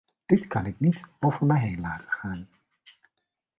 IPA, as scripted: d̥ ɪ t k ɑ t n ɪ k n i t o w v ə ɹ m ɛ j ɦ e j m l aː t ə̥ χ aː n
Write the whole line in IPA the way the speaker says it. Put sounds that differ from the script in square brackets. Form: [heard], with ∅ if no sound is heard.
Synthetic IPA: d̥ ɪ t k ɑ [∅] n ɪ k n i t o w v ə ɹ m ɛ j ɦ e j [n] l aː t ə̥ χ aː n